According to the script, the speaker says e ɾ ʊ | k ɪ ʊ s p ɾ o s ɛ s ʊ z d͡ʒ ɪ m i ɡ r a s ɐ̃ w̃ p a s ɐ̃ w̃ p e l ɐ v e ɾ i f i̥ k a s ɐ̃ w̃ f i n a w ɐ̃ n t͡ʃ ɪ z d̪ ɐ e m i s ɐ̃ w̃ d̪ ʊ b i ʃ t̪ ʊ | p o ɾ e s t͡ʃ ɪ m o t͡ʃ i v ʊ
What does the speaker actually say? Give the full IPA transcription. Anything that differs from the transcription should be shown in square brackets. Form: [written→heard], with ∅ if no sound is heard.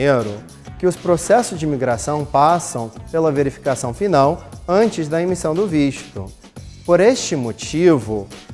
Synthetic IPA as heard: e ɾ ʊ | k ɪ ʊ s p ɾ o s ɛ s ʊ z d͡ʒ ɪ m i ɡ [r→ɾ] a s ɐ̃ w̃ p a s ɐ̃ w̃ p e l ɐ v e ɾ i f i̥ k a s ɐ̃ w̃ f i n a w ɐ̃ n t͡ʃ ɪ z d̪ ɐ e m i s ɐ̃ w̃ d̪ ʊ [b→v] i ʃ t̪ ʊ | p o ɾ e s t͡ʃ ɪ m o t͡ʃ i v ʊ

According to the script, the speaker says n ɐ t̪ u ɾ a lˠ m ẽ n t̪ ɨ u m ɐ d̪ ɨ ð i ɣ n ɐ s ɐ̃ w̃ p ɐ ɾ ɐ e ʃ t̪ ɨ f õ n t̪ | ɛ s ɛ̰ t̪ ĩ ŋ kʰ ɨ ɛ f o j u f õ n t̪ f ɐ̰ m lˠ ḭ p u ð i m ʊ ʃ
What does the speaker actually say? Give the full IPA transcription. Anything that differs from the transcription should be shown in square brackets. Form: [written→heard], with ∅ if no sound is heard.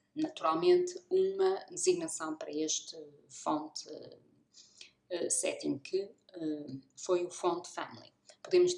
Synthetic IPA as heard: n ɐ t̪ u ɾ a lˠ m ẽ n t̪ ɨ u m ɐ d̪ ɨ [ð→z] i ɣ n ɐ s ɐ̃ w̃ p ɐ ɾ ɐ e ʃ t̪ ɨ f õ n t̪ | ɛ s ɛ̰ t̪ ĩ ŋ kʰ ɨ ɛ f o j u f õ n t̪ f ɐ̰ m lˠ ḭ p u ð [i→e] m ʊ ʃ

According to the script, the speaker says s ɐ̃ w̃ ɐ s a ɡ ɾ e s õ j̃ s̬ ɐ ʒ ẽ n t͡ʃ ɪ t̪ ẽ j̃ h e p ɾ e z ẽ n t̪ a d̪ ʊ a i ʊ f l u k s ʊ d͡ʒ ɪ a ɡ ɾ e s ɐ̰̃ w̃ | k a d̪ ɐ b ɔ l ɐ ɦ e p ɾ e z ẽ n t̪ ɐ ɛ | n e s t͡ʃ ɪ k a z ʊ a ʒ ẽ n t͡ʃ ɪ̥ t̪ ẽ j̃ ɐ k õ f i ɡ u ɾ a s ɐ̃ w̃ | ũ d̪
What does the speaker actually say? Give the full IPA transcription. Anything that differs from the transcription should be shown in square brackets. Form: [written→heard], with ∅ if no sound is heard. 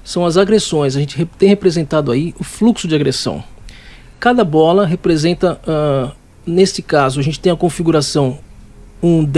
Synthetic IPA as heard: s ɐ̃ w̃ ɐ [s→z] a ɡ ɾ e s õ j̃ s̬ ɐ ʒ ẽ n t͡ʃ ɪ t̪ ẽ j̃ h e p ɾ e z ẽ n t̪ a d̪ ʊ a i ʊ f l u k s ʊ d͡ʒ ɪ a ɡ ɾ e s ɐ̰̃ w̃ | k a d̪ ɐ b ɔ l ɐ ɦ e p ɾ e z ẽ n t̪ ɐ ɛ | n e s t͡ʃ ɪ k a z ʊ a ʒ ẽ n t͡ʃ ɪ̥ t̪ ẽ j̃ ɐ k õ f i ɡ u ɾ a s ɐ̃ w̃ | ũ d̪

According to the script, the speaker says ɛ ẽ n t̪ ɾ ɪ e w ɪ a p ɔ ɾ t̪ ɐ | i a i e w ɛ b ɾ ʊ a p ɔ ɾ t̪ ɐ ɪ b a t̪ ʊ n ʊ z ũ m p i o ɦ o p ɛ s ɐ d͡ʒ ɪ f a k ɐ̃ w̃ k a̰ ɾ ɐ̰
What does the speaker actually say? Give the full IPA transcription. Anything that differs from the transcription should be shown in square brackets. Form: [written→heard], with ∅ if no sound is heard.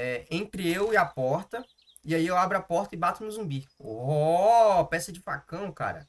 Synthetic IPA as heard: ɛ ẽ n t̪ ɾ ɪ e w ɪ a p ɔ ɾ t̪ ɐ | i a i e w [ɛ→a] b ɾ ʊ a p ɔ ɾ t̪ ɐ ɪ b a t̪ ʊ n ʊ z ũ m [p→b] i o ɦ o p ɛ s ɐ d͡ʒ ɪ f a k ɐ̃ w̃ k a̰ ɾ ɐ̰

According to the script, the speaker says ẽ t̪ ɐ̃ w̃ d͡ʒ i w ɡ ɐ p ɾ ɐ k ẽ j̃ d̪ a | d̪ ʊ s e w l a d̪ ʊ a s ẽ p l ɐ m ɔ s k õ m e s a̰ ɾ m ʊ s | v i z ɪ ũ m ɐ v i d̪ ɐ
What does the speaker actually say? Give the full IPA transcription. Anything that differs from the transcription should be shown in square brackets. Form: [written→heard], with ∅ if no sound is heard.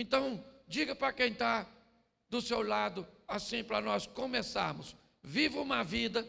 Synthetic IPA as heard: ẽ t̪ ɐ̃ w̃ d͡ʒ i [w→∅] ɡ ɐ p ɾ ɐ k ẽ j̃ [d̪→t̪] a | d̪ ʊ s e w l a d̪ ʊ a s [ẽ→ĩ] p [l→ɾ] ɐ [m→n] ɔ s k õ m e s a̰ ɾ m ʊ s | v i [z→v] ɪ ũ m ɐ v i d̪ ɐ

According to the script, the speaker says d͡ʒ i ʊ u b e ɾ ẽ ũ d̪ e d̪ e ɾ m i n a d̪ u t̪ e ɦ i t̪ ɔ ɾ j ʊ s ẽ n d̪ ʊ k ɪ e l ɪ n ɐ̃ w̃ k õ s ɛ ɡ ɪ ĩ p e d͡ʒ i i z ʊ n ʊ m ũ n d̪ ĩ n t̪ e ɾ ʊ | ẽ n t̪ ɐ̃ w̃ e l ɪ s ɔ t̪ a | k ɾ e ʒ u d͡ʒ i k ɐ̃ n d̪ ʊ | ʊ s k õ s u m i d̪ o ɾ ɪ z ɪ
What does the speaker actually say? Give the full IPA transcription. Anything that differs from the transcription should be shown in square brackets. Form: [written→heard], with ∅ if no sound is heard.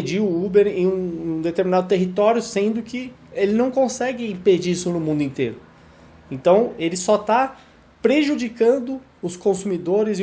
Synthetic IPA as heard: d͡ʒ i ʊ u b e ɾ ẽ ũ d̪ e [d̪→t̪] e ɾ m i n a d̪ [u→ʊ] t̪ e ɦ i t̪ ɔ ɾ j ʊ s ẽ n d̪ ʊ k ɪ e l ɪ n ɐ̃ w̃ k õ s ɛ ɡ ɪ ĩ p e d͡ʒ i i [z→s] ʊ n ʊ m ũ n d̪ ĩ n t̪ e ɾ ʊ | ẽ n t̪ ɐ̃ w̃ e l ɪ s ɔ t̪ a | [k→p] ɾ e ʒ u d͡ʒ i k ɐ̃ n d̪ ʊ | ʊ s k õ s u m i d̪ o ɾ ɪ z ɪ

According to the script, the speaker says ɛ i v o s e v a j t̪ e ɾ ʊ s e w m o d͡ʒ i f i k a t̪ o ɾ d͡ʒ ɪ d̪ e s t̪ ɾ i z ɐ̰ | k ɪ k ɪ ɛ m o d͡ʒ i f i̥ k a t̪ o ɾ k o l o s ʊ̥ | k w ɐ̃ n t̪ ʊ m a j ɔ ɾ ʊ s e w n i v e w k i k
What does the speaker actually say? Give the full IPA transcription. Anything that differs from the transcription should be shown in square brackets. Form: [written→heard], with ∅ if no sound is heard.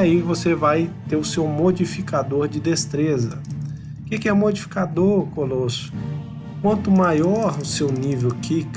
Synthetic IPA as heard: [ɛ→a] i v o s e v a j t̪ e ɾ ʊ s e w m o d͡ʒ i f i k a [t̪→d̪] o ɾ d͡ʒ ɪ d̪ e s t̪ ɾ [i→e] z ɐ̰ | k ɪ k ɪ ɛ m o d͡ʒ i f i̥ k a [t̪→d̪] o ɾ k o l o s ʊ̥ | k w ɐ̃ n t̪ ʊ m a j ɔ ɾ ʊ s e w n i v e w k i k

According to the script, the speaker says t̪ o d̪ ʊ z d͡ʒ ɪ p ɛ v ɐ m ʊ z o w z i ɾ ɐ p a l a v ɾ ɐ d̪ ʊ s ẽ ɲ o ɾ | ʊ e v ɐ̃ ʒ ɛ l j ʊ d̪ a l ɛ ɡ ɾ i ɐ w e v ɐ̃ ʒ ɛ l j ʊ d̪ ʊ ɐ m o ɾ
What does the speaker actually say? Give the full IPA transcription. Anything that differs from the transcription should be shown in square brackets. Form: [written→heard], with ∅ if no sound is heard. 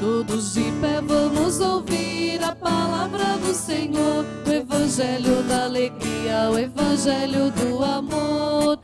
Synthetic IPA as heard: t̪ o d̪ ʊ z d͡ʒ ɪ p ɛ v [ɐ→ɐ̃] m ʊ z o w [z→v] i ɾ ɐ p a l a v ɾ ɐ d̪ ʊ s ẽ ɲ o ɾ | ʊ e v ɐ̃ ʒ ɛ l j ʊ d̪ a l [ɛ→e] ɡ ɾ i ɐ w e v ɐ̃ ʒ ɛ l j ʊ d̪ ʊ [ɐ→a] m o ɾ

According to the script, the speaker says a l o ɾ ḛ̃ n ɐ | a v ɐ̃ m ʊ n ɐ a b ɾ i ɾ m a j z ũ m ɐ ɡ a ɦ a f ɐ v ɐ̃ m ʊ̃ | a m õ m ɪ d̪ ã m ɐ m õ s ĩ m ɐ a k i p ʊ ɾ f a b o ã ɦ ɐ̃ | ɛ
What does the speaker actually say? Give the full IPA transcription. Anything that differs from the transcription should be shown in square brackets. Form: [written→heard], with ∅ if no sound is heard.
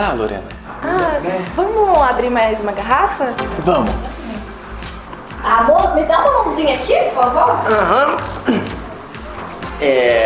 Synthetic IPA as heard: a l o ɾ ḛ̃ n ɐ | a v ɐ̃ m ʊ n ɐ a b ɾ i ɾ m a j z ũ m ɐ ɡ a ɦ a f ɐ v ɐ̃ m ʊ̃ | a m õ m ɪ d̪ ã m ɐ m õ [s→z] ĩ [m→ɲ] ɐ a k i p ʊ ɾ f a [b→v] o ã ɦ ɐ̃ | ɛ

